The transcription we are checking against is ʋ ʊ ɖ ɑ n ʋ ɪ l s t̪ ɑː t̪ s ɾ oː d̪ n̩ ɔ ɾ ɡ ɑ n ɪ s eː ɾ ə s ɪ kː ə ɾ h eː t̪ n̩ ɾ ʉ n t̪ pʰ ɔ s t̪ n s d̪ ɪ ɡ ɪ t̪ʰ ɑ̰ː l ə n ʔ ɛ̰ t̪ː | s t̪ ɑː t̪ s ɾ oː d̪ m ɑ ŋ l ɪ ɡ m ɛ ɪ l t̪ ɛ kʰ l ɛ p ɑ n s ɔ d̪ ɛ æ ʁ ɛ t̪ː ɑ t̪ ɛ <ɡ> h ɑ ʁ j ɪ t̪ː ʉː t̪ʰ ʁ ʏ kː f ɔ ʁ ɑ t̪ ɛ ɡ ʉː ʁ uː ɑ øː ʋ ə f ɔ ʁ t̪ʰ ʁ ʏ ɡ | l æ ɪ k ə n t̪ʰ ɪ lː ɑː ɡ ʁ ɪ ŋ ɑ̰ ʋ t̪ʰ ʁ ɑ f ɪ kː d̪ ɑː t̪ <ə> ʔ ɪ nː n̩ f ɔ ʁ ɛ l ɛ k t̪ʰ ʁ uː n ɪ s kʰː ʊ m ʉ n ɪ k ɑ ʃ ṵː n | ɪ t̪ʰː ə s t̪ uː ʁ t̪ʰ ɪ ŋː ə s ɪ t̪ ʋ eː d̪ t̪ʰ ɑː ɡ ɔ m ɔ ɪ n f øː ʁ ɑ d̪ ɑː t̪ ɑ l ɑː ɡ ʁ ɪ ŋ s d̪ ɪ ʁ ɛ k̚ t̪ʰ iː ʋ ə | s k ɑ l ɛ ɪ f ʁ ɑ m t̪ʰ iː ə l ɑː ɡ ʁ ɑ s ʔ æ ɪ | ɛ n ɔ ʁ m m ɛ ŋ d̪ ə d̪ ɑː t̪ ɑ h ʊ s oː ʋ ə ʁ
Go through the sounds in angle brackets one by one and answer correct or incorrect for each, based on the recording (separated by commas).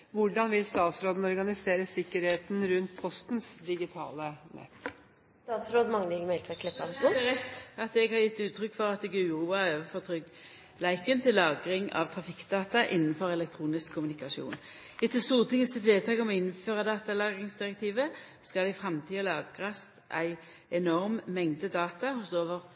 correct, incorrect